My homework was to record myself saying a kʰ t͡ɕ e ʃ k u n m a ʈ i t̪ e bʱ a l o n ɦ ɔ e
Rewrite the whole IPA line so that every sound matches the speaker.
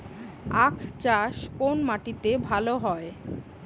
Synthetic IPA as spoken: a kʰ t͡ɕ a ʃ k o n m a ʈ i t̪ e bʱ a l o ɦ ɔ e

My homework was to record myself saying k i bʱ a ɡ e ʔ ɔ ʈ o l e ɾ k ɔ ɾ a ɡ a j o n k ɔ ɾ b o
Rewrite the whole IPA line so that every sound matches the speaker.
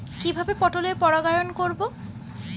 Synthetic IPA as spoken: k i bʱ a b e p ɔ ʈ o l e ɾ p ɔ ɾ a ɡ a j o n k o ɾ b o

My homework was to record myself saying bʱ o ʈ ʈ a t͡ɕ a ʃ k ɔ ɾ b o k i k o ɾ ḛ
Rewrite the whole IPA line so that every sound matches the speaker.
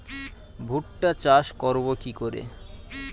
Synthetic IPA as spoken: bʱ u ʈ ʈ a t͡ɕ a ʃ k ɔ ɾ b o k i k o ɾ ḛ

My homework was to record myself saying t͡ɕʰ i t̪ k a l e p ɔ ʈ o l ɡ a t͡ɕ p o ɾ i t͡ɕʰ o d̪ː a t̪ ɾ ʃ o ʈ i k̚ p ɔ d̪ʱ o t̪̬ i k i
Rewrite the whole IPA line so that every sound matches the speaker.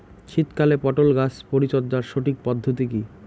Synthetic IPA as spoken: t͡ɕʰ i t̪ k a l e p ɔ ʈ o l ɡ a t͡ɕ p o ɾ i t͡ɕ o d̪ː a ɾ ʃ o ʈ i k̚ p ɔ d̪ʱː o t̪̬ i k i

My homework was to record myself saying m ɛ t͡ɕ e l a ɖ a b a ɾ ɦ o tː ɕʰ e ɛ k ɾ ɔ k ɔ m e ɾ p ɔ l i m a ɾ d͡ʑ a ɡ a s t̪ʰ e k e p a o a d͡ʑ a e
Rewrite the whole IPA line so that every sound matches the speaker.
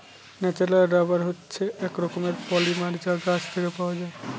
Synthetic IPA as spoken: n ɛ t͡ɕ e l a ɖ a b a ɾ ɦ o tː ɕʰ e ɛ k ɾ ɔ k o m e ɾ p ɔ l i m a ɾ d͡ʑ a ɡ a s t̪ʰ e k e p a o a d͡ʑ a e

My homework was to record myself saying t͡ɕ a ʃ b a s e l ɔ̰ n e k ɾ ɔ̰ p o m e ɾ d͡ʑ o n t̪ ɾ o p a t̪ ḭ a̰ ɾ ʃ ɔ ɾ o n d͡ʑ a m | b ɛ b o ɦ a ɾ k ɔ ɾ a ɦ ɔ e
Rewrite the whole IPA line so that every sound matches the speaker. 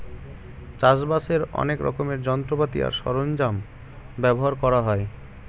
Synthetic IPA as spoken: t͡ɕ a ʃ b a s e ɾ ɔ̰ n e k ɾ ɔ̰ k o m e ɾ d͡ʑ ɔ n t̪ ɾ o p a t̪ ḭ a̰ ɾ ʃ ɔ ɾ o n d͡ʑ a m | b ɛ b o ɦ a ɾ k ɔ ɾ a ɦ ɔ e

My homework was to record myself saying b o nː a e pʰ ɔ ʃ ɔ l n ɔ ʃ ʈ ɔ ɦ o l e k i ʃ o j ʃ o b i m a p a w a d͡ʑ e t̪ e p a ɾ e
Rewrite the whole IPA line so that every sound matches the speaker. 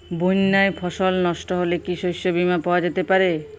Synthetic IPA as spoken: b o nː a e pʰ ɔ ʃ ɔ l n ɔ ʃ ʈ ɔ ɦ o l e k i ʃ o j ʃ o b i m a p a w a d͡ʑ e t̪ e p a ɾ e

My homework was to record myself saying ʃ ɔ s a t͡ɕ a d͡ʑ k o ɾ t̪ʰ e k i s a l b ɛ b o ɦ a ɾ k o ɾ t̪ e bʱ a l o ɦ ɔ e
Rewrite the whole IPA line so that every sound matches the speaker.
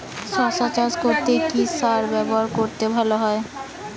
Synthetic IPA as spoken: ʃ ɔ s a t͡ɕ a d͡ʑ k o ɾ t̪ e k i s a ɾ b ɛ b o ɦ a ɾ k o ɾ t̪ e bʱ a l o ɦ ɔ e

